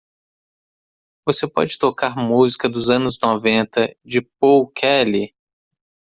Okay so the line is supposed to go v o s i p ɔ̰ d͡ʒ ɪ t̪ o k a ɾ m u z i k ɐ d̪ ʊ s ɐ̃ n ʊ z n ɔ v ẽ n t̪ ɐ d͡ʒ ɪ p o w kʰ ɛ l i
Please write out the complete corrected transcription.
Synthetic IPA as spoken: v o s e p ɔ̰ d͡ʒ ɪ t̪ o k a ɾ m u z i k ɐ d̪ ʊ z ɐ̃ n ʊ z n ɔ v ẽ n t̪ ɐ d͡ʒ ɪ p o w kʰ ɛ l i